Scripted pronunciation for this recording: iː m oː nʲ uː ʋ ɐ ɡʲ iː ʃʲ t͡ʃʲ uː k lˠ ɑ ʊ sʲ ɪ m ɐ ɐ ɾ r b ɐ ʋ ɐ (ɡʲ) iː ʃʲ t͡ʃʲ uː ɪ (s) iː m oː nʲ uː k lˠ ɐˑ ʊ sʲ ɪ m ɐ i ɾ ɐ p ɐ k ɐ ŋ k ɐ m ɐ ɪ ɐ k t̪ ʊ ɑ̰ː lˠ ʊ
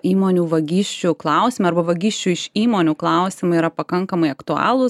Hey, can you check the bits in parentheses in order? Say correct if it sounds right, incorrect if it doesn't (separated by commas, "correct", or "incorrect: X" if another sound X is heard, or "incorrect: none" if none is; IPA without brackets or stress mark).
correct, incorrect: ʃ